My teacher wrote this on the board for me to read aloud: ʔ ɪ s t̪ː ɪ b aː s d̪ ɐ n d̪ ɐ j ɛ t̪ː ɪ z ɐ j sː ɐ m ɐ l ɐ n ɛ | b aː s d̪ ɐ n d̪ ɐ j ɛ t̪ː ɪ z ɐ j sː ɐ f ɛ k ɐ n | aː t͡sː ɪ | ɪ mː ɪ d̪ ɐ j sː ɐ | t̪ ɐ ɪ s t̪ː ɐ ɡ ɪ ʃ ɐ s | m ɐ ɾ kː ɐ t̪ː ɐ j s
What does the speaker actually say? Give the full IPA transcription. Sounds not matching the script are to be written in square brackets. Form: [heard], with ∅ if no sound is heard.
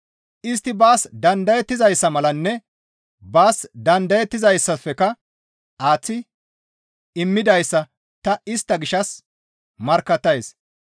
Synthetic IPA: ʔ ɪ s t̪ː ɪ b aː s d̪ ɐ n d̪ ɐ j ɛ t̪ː ɪ z ɐ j sː ɐ m ɐ l ɐ [nː] ɛ | b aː s d̪ ɐ n d̪ ɐ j ɛ t̪ː ɪ z ɐ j sː ɐ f ɛ k ɐ [∅] | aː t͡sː ɪ | ɪ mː ɪ d̪ ɐ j sː ɐ | t̪ ɐ ɪ s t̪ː ɐ ɡ ɪ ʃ ɐ s | m ɐ ɾ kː ɐ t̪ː ɐ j s